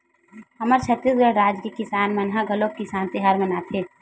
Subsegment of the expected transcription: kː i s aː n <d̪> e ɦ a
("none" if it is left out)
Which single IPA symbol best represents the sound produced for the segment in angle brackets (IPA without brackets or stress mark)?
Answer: t̪